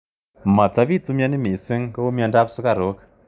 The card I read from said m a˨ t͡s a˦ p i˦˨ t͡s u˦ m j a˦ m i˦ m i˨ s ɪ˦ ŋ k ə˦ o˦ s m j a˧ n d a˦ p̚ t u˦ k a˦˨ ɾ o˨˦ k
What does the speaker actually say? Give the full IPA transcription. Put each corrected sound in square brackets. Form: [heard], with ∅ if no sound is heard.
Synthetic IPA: m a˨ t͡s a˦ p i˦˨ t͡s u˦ m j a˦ [n] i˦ m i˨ s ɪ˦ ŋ k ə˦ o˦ [∅] m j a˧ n d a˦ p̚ [s] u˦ k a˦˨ ɾ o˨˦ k

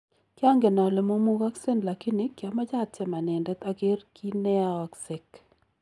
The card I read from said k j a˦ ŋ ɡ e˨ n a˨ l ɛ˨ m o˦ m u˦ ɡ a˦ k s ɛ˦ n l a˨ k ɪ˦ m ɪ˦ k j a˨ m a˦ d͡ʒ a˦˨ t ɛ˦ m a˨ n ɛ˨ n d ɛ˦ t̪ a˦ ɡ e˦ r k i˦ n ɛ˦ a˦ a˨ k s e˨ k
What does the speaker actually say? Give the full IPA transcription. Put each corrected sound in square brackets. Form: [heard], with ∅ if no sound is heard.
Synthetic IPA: k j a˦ ŋ ɡ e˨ n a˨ l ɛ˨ m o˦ m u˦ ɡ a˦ k s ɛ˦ n l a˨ k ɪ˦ [n] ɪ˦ k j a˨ m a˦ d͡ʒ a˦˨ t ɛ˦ m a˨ n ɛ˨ n d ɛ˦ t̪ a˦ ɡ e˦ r k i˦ n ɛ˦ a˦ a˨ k s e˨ k

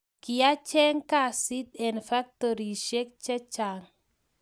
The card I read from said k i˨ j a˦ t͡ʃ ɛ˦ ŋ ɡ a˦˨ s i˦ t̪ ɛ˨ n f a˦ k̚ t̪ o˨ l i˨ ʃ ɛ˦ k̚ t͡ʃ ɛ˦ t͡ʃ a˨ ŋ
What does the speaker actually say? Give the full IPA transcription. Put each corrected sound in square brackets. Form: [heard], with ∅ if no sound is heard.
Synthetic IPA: k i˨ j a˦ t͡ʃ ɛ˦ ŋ [k] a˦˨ s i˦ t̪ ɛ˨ n f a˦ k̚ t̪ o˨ [ɾ] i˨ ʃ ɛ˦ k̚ t͡ʃ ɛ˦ t͡ʃ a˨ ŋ

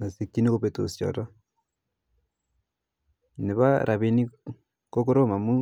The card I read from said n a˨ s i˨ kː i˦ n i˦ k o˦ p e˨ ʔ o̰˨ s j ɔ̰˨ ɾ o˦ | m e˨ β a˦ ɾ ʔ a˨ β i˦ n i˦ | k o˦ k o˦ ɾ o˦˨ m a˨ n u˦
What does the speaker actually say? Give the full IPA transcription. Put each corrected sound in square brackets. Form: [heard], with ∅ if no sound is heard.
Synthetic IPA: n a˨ s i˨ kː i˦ n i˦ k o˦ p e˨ [t] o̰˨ s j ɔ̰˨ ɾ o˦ | [n] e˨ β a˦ ɾ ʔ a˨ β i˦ n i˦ | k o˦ k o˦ ɾ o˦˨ m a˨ [m] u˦

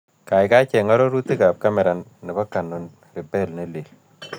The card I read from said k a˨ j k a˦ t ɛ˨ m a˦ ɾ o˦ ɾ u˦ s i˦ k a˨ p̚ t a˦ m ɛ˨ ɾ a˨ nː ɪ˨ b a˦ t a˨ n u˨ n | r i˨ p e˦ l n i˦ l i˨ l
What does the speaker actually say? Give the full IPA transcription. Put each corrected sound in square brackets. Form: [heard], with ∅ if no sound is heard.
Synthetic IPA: k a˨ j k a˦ [t͡ʃ] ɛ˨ [ŋ] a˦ ɾ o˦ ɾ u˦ [t] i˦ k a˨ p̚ [k] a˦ m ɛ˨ ɾ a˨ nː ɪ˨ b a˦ [k] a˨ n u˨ n | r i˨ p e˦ l n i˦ l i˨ l

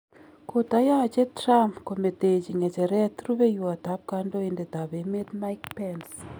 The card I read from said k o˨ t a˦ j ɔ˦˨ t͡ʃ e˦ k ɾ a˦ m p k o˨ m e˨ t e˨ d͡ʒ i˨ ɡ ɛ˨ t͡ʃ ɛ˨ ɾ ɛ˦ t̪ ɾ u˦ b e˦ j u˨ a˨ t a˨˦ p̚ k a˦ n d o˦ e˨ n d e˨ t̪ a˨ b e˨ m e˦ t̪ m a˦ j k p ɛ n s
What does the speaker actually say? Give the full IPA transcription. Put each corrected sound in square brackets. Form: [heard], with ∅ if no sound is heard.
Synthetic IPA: k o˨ t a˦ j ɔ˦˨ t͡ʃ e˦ [t] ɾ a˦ m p k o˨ m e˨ t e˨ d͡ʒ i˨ [ŋ] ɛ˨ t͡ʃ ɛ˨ ɾ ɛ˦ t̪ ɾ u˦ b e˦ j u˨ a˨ t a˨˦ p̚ k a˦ n d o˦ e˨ n d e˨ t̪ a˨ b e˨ m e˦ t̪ m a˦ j k p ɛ n s

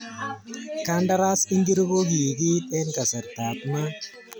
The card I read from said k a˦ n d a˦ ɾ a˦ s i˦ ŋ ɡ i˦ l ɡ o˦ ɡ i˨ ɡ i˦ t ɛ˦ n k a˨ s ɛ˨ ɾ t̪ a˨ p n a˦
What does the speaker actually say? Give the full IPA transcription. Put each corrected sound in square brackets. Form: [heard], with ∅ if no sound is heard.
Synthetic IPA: k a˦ n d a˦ ɾ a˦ s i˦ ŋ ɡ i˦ [ɾ] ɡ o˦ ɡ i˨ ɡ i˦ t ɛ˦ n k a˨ s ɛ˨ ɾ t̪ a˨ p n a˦

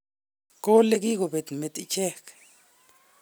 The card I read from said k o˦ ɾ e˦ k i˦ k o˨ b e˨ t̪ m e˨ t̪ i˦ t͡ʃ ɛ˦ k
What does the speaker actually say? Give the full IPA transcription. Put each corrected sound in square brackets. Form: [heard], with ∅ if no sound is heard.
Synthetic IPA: k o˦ [l] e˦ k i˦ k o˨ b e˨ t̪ m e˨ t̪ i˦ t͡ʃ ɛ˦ k

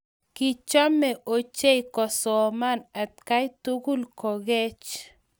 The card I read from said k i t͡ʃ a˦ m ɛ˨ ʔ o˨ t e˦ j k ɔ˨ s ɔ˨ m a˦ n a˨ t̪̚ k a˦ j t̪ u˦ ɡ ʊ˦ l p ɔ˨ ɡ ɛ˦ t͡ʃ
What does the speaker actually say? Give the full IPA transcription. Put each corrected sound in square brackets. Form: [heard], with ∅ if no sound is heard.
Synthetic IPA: k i t͡ʃ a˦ m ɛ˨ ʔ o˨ [t͡ʃ] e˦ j k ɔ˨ s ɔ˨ m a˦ n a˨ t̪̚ k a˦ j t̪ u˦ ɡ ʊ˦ l [k] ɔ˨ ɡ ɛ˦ t͡ʃ

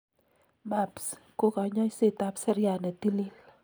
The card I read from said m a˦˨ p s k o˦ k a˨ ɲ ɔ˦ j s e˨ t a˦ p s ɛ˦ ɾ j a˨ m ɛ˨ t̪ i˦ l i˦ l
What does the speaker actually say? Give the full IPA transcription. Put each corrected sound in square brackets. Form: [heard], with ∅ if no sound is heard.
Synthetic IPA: m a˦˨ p s k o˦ k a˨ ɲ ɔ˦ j s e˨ t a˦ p s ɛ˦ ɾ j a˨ [n] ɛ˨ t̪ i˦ l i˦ l

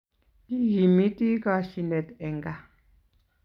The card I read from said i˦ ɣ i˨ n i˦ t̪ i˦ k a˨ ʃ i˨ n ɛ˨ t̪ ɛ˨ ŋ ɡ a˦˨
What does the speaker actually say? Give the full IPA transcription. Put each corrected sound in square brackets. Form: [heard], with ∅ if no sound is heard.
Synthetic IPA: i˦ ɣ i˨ [m] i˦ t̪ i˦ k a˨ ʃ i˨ n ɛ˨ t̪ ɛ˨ ŋ ɡ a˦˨

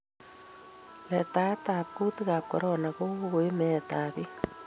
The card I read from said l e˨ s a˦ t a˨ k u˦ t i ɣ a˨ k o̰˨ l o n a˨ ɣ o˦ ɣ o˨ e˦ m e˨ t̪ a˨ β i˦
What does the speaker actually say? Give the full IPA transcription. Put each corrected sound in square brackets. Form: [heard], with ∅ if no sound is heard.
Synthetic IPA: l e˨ [t] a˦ t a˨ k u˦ t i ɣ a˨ k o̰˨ [ɾ] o n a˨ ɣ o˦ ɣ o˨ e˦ m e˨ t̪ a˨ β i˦

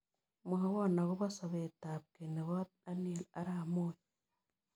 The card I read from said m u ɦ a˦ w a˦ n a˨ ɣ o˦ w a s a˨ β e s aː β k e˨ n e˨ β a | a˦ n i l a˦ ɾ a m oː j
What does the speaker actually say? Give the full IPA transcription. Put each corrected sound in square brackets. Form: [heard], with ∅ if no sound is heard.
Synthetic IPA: m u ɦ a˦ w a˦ n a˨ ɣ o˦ [β] a s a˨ β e [t] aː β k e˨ n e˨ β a | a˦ n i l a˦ ɾ a m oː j

